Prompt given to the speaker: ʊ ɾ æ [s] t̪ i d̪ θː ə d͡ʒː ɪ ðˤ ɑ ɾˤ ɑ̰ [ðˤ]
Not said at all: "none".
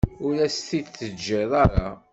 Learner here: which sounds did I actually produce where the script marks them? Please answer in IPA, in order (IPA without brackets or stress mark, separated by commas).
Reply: s, none